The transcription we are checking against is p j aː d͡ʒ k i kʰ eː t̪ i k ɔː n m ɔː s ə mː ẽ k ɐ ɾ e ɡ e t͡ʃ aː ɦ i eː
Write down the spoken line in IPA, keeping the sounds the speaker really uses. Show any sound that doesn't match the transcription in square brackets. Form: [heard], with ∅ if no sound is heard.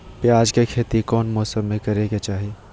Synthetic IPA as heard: p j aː d͡ʒ k [e] kʰ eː t̪ i k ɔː n m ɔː s ə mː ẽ k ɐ ɾ e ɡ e t͡ʃ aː ɦ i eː